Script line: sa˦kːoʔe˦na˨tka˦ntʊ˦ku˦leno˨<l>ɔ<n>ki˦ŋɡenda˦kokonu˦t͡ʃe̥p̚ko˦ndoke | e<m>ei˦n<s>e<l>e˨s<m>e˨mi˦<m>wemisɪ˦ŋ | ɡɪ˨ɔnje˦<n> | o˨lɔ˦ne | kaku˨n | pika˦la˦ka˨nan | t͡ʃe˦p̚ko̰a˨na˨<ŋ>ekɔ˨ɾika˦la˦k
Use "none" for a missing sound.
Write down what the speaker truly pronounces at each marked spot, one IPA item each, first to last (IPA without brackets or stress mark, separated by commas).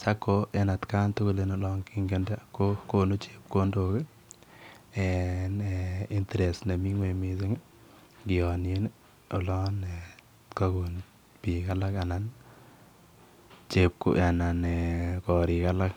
l, ŋ, n, t, ɾ, n, ŋ, n, n